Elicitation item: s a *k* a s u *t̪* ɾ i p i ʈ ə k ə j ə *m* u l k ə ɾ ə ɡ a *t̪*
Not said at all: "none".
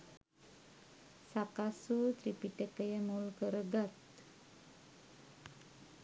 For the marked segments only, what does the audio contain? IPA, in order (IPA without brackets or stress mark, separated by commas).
k, t̪, m, t̪